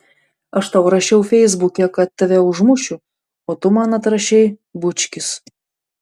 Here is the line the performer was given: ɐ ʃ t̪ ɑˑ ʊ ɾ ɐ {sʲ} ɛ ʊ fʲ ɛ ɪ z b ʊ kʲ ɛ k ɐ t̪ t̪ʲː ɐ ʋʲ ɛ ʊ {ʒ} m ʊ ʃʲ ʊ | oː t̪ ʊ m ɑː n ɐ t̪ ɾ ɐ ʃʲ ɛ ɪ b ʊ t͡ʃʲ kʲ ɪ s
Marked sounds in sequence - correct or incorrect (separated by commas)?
incorrect, correct